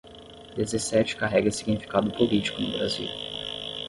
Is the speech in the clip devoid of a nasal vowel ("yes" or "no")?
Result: yes